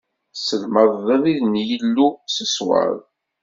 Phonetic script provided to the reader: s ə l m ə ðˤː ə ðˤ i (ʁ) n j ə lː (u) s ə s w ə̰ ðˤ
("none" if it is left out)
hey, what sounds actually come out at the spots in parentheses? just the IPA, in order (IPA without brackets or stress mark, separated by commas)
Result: ð, u